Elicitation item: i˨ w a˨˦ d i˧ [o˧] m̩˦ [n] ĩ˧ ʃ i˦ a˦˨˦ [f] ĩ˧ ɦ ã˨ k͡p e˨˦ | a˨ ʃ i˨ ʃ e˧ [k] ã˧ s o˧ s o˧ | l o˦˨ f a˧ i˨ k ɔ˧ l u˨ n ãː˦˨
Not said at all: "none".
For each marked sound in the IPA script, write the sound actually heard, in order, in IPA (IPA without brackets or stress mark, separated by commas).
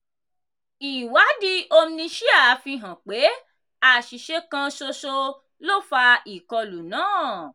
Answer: o˧, n, f, k